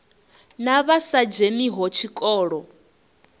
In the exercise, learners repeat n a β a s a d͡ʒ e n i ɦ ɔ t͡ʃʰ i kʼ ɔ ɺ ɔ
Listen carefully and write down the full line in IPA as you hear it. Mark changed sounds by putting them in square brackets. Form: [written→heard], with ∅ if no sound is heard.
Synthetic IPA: n a β a s a d͡ʒ e n i ɦ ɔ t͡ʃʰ i kʼ [ɔ→ɔː] ɺ ɔ